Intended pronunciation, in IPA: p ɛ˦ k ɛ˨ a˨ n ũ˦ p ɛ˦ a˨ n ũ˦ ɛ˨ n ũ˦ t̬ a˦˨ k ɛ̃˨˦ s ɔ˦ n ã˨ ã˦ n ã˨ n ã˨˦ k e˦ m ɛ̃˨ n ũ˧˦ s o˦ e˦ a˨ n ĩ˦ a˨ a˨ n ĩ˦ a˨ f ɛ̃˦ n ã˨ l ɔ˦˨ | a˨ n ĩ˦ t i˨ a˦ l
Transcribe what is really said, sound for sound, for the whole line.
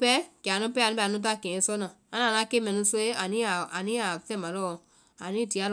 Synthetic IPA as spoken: p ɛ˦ k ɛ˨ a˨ n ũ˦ p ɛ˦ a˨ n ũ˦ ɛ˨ n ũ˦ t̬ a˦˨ k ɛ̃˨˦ s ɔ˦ n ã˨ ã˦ n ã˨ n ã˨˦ k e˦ m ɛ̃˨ n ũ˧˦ s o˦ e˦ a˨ n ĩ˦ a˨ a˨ n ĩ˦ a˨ f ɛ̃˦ m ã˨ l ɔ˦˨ | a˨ n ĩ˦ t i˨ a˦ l